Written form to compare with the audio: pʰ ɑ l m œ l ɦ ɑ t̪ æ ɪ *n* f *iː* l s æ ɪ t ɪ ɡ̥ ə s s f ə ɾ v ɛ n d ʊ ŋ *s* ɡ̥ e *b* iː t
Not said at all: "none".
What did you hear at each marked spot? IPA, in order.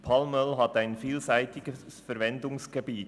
n, iː, s, b

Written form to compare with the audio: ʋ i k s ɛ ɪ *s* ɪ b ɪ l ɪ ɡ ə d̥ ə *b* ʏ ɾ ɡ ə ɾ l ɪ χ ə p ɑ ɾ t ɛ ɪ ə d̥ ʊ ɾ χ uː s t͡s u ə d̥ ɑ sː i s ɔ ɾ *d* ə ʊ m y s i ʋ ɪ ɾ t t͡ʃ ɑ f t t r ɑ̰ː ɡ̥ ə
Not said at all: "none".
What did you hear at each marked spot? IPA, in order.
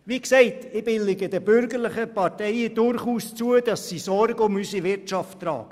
t, b, ɡ

